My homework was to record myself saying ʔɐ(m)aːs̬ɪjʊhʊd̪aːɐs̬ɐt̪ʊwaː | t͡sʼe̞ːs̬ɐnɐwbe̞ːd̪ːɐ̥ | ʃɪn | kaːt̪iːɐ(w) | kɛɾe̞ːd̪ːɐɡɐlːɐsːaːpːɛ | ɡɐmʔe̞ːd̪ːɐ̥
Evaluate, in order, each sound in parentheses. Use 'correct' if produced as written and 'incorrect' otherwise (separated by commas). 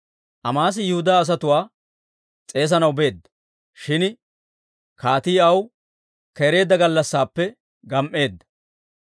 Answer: correct, correct